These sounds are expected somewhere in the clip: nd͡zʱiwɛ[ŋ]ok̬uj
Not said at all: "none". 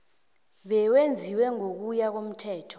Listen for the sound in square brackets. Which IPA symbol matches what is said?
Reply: ŋ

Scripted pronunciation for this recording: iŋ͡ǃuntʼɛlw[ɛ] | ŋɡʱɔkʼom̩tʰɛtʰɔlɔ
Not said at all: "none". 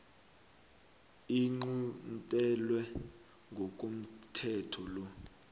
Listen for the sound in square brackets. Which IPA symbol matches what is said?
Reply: ɛ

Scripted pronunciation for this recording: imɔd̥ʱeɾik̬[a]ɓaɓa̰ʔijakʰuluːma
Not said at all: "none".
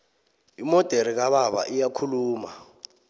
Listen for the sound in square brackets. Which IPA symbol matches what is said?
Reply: a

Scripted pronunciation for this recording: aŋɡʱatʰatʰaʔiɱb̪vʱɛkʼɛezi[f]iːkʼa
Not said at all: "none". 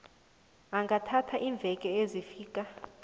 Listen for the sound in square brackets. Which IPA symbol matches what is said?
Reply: f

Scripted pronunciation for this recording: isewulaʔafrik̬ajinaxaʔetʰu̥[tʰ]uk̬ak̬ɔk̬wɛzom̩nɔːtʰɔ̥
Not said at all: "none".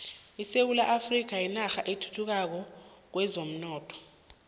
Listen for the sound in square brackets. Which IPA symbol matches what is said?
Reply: tʰ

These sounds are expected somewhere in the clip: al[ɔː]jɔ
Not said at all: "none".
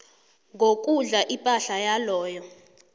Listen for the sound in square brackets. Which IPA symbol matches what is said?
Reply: ɔː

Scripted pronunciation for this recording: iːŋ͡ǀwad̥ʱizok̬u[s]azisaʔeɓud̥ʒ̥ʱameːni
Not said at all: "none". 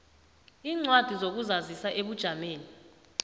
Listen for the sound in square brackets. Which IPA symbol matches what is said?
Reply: z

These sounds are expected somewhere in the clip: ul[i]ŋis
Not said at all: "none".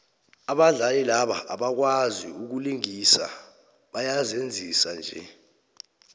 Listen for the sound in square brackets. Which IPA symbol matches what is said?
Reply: i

